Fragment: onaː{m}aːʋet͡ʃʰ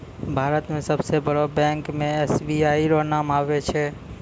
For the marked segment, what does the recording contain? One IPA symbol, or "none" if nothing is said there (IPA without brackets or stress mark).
m